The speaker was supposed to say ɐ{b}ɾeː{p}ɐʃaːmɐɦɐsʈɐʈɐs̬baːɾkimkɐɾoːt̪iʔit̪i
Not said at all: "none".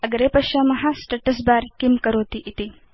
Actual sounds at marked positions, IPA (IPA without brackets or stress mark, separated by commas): ɡ, p